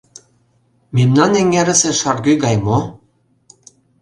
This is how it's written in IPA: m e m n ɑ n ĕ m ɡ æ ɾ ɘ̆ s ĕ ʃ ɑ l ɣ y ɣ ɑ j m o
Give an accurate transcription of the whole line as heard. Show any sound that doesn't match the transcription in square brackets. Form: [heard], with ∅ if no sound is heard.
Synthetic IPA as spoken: m e m n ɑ n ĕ [ŋ] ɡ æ ɾ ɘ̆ s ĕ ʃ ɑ [r] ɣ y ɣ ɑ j m o